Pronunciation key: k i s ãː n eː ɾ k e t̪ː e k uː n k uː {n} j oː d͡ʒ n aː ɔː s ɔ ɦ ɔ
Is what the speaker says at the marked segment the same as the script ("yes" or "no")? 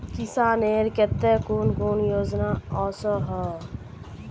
yes